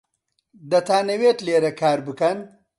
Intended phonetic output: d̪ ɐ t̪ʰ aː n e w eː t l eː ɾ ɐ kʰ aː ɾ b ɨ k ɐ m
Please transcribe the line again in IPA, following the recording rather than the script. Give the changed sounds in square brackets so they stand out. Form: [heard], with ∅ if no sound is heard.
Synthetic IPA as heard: d̪ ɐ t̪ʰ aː n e w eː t l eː ɾ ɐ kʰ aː ɾ b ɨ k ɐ [n]